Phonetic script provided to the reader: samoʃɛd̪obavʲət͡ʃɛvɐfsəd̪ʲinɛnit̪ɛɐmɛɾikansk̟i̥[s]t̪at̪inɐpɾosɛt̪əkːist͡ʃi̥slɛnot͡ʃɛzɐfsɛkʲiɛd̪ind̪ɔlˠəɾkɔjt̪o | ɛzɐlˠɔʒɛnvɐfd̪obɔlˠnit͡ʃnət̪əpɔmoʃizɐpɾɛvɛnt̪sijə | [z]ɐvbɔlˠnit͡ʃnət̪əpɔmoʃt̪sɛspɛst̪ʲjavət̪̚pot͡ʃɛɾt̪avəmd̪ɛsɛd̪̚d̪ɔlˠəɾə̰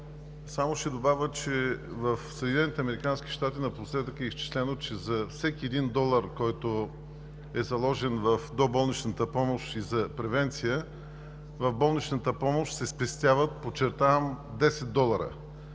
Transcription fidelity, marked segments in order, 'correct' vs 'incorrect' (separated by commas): incorrect, incorrect